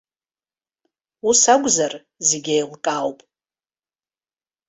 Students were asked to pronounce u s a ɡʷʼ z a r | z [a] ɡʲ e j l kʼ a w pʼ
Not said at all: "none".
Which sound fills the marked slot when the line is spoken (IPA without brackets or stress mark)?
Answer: e